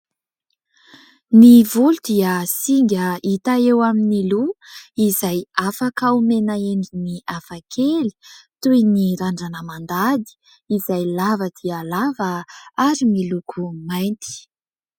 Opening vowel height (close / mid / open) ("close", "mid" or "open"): close